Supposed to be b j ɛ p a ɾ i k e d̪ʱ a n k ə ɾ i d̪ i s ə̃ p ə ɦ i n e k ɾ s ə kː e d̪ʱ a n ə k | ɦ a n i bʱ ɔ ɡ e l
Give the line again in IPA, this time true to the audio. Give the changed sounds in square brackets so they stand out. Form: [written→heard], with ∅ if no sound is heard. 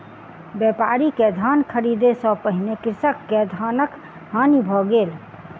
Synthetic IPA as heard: b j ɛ p a ɾ i k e d̪ʱ a n [k→kʰ] ə ɾ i d̪ [i→e] s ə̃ p ə ɦ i n e k ɾ s ə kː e d̪ʱ a n ə k | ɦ a n i bʱ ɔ ɡ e l